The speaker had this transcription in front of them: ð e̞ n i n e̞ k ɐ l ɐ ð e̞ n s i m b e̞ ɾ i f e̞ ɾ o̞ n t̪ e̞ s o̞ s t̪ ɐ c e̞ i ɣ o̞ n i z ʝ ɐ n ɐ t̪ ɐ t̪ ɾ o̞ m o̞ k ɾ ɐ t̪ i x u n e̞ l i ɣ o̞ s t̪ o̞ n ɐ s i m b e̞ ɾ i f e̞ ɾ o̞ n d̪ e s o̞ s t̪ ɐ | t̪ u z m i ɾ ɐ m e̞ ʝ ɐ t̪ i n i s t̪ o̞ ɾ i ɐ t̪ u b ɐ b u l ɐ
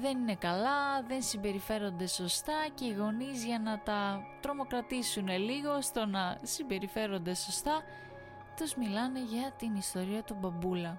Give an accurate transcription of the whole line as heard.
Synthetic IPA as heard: ð e̞ n i n e̞ k ɐ l ɐ ð e̞ n s i m b e̞ ɾ i f e̞ ɾ o̞ n d̪ e̞ s o̞ s t̪ ɐ c e̞ i ɣ o̞ n i z ʝ ɐ n ɐ t̪ ɐ t̪ ɾ o̞ m o̞ k ɾ ɐ t̪ i s u n e̞ l i ɣ o̞ s t̪ o̞ n ɐ s i m b e̞ ɾ i f e̞ ɾ o̞ n d̪ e s o̞ s t̪ ɐ | t̪ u z m i l ɐ n e̞ ʝ ɐ t̪ i n i s t̪ o̞ ɾ i ɐ t̪ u b ɐ b u l ɐ